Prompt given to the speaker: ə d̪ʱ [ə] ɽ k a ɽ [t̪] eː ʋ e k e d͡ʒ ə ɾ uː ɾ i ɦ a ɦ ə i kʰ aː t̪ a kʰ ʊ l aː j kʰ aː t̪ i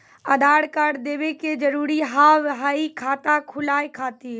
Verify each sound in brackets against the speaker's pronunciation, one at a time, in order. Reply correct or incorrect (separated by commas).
incorrect, incorrect